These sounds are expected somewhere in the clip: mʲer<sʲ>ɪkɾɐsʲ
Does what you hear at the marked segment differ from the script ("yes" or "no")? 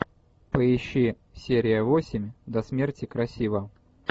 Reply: yes